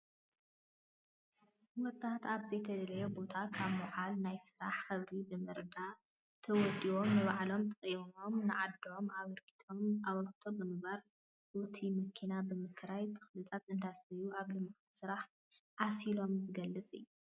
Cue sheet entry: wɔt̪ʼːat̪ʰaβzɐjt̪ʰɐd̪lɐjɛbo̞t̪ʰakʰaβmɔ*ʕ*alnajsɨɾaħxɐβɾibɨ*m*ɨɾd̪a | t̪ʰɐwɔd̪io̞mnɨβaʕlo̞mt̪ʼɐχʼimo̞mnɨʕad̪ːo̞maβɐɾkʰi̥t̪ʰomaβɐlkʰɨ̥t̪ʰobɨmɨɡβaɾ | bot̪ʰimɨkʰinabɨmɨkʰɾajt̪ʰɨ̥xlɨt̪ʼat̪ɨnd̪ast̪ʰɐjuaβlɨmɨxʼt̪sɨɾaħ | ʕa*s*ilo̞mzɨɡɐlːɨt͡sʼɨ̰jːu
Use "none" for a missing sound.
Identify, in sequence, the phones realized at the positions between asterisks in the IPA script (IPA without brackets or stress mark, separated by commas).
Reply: ʕ, m, s